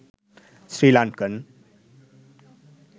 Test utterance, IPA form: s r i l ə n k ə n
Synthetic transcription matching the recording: s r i l a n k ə n